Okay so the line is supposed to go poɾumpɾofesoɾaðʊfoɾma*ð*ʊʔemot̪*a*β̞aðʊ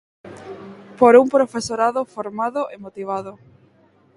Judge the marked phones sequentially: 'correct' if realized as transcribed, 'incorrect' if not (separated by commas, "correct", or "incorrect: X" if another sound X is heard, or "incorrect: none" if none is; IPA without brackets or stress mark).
correct, incorrect: i